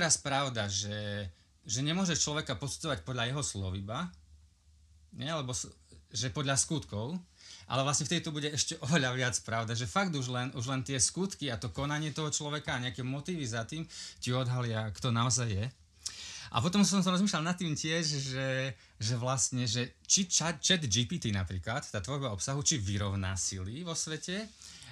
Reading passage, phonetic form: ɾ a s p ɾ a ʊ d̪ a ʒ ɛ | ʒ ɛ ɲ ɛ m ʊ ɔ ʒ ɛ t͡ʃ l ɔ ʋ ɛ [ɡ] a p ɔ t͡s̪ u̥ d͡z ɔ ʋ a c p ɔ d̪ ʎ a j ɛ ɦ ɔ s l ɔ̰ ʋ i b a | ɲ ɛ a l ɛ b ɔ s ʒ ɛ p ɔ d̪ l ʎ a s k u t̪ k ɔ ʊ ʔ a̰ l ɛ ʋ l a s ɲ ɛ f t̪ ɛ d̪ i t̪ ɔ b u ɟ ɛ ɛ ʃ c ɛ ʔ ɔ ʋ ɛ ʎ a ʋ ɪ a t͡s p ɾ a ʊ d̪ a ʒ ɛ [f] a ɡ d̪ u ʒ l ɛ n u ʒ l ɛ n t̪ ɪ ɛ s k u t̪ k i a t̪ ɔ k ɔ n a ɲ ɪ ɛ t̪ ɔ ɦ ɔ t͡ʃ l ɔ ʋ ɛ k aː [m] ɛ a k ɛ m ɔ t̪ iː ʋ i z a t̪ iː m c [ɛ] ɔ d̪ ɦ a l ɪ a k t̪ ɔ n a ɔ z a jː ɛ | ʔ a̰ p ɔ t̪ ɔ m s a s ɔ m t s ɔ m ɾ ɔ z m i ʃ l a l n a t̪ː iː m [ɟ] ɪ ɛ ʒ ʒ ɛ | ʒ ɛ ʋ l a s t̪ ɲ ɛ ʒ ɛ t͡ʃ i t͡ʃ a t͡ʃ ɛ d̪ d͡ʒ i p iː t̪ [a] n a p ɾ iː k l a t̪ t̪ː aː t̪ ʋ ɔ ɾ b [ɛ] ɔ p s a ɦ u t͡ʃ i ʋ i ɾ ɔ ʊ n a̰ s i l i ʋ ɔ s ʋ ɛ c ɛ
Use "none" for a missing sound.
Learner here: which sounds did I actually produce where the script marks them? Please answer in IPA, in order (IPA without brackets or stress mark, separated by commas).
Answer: k, f, ɲ, i, c, i, a